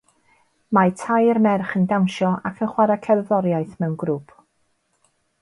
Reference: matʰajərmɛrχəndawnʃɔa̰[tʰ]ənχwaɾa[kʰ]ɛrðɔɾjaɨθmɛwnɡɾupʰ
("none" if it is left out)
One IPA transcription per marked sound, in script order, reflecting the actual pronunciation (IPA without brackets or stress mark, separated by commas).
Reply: kʰ, kʰ